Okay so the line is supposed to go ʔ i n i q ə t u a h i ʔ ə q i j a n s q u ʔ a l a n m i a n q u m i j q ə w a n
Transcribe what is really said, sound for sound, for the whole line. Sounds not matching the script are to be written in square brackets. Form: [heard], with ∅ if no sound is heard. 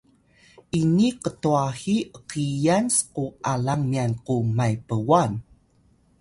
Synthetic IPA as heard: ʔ i n i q ə t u a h i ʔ ə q i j a n s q u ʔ a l a [ŋ] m i a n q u m [a] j [p] ə w a n